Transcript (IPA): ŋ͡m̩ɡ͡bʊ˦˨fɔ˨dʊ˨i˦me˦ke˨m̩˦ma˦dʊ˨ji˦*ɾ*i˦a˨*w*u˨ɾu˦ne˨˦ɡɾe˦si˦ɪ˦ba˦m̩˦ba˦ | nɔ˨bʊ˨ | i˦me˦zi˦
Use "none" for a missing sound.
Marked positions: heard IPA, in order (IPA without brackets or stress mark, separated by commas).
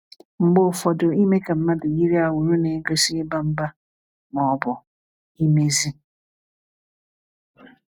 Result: ɾ, w